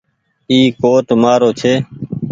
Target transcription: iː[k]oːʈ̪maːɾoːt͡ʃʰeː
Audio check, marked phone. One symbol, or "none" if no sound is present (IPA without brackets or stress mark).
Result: k